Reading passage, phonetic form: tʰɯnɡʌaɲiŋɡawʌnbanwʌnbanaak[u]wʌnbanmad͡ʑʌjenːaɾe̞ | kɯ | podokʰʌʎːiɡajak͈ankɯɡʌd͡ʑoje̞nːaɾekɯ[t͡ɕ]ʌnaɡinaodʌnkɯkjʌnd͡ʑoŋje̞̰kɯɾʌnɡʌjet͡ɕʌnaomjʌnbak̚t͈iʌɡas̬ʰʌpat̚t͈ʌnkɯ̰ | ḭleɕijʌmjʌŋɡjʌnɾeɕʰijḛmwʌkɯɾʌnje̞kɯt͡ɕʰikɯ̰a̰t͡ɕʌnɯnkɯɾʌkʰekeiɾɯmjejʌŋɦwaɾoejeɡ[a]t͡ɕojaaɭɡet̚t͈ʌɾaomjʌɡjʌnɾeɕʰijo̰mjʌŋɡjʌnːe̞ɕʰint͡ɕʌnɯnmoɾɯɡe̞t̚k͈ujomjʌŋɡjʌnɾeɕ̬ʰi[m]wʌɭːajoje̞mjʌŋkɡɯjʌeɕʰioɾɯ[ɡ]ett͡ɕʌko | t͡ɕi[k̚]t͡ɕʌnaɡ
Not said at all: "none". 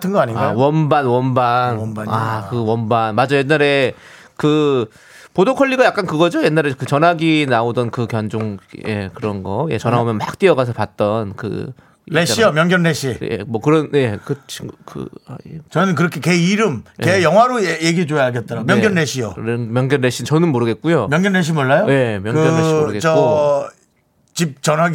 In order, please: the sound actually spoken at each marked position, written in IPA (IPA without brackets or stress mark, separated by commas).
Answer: ɯ, t͡ɕ, i, m, ɡ, p̚